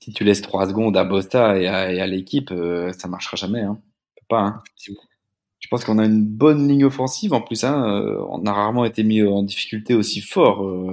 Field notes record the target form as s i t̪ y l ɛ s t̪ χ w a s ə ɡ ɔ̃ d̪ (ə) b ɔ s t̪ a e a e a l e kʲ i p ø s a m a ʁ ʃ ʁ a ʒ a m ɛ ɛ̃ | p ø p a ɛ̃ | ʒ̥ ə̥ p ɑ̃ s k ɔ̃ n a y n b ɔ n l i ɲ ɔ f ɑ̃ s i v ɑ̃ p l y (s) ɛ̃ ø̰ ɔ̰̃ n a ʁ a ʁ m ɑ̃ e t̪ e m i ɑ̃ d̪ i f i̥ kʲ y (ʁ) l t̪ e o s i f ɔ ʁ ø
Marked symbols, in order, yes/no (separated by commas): no, yes, no